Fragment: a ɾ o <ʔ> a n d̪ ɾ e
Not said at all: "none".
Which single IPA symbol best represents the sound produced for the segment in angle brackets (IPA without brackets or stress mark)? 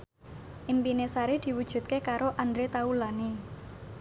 ʔ